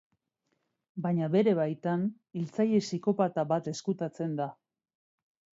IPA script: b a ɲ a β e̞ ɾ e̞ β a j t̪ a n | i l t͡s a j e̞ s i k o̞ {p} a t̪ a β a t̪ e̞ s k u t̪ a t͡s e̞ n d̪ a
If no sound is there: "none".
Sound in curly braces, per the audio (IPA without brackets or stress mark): p